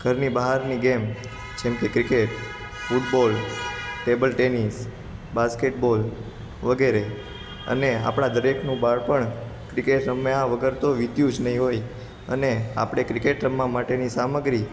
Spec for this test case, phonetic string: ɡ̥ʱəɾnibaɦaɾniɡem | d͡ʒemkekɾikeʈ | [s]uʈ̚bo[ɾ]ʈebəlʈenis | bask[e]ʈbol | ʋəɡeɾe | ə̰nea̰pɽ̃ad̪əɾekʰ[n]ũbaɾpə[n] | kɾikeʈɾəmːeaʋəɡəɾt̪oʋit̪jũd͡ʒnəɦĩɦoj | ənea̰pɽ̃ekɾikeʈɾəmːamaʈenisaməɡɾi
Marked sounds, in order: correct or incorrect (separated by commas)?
incorrect, incorrect, correct, correct, incorrect